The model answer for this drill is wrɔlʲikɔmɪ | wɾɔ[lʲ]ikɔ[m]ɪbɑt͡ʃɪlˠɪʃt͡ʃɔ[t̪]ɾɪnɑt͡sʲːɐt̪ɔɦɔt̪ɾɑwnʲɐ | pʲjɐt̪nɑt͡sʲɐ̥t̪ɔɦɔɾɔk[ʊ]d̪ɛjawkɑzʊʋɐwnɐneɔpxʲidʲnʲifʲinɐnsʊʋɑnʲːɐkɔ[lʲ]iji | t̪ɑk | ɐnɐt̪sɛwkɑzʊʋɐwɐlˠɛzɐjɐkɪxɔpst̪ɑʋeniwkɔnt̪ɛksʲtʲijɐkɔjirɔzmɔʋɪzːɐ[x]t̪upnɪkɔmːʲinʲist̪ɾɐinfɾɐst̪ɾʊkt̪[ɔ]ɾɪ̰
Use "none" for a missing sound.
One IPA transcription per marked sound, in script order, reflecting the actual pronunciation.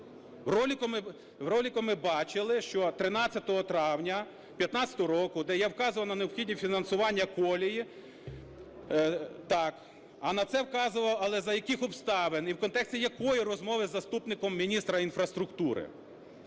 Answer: lʲ, m, t̪, ʊ, lʲ, s, u

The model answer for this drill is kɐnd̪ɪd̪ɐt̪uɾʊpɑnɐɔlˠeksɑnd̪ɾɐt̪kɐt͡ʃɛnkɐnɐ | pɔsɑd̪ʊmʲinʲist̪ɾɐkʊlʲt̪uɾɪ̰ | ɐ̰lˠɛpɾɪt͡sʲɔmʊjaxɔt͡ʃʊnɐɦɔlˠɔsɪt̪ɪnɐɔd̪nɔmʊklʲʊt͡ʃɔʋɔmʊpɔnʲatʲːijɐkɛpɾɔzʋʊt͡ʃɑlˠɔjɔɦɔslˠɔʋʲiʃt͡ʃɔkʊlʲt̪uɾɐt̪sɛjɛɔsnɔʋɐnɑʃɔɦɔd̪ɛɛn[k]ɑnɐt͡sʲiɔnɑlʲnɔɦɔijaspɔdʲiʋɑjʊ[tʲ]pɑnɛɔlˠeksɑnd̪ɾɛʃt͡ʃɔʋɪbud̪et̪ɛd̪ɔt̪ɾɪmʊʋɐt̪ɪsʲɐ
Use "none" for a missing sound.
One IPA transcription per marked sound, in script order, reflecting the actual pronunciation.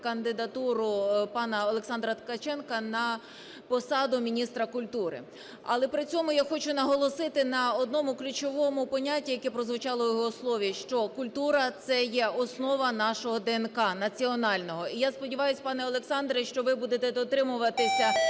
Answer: k, sʲ

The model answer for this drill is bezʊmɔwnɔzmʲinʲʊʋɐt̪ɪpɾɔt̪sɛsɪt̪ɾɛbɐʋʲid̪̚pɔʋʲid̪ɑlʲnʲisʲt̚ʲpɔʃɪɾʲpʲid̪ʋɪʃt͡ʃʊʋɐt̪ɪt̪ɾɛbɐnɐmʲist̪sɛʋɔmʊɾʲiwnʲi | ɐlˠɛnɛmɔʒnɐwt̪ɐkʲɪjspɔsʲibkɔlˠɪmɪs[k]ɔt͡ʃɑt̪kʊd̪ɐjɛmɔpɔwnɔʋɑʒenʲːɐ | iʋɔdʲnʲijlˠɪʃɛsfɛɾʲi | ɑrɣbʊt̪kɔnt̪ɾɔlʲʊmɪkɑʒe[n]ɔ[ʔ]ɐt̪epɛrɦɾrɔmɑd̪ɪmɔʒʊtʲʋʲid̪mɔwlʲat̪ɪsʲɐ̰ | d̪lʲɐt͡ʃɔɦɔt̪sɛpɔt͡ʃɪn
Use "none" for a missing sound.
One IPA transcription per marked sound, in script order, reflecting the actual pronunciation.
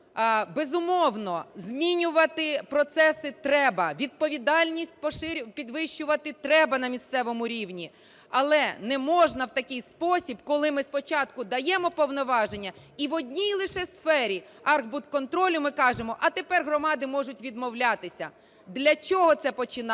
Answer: p, m, ʔ

